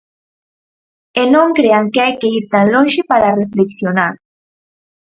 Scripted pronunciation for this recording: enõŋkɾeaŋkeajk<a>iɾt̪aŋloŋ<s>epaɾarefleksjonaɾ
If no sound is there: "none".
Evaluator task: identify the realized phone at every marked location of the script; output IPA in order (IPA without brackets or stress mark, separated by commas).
e, ʃ